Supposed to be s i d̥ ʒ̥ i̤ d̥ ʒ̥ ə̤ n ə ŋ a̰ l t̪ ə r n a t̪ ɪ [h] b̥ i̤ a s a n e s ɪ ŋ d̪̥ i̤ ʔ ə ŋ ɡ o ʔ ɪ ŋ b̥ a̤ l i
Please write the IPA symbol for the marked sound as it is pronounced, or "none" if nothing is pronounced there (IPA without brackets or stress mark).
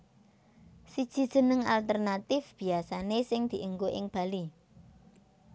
f